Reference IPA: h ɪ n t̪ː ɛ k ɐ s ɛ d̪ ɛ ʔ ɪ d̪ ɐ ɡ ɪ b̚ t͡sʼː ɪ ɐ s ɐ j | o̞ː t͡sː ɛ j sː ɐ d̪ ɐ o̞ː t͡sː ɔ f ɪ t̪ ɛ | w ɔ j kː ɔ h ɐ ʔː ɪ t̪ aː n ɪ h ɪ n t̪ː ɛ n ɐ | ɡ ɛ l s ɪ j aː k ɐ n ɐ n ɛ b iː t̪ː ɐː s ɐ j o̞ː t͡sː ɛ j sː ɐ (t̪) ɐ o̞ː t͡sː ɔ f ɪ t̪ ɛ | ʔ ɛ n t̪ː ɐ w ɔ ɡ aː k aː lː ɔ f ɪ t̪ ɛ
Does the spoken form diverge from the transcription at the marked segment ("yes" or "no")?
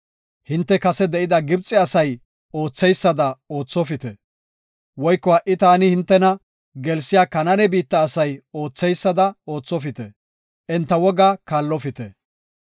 yes